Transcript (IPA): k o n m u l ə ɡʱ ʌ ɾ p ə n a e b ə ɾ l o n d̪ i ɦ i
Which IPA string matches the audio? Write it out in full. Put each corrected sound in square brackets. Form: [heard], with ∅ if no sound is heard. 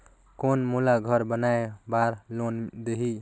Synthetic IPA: k o n m u l [a] ɡʱ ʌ ɾ [b] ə n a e b [a] ɾ l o n d̪ [e] ɦ i